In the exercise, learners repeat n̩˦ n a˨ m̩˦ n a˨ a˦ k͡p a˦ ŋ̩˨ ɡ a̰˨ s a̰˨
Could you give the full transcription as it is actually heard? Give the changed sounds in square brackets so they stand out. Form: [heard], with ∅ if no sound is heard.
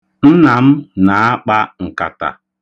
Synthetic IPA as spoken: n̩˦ n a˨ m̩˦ n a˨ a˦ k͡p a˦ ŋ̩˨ [k] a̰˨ [t] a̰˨